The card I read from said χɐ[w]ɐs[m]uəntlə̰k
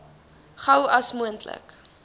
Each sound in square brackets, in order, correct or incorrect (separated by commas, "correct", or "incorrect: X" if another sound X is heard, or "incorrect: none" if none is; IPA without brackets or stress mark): correct, correct